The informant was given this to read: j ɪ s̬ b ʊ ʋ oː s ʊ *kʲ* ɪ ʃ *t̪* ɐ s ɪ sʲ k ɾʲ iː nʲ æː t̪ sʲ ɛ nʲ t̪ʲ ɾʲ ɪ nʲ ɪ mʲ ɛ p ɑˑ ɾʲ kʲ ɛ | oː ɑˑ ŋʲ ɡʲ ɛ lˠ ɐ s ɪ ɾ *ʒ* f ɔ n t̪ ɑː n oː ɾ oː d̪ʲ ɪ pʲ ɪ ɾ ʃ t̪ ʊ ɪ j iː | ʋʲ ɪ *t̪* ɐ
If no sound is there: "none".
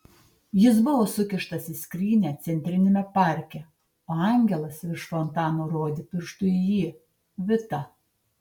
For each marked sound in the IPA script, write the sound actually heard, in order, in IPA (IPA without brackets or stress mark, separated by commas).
kʲ, t̪, ʃ, t̪